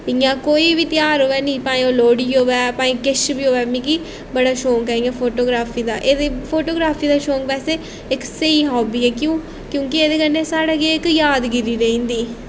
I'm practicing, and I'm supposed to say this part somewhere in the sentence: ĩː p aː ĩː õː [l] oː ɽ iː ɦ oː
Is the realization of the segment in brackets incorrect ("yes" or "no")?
no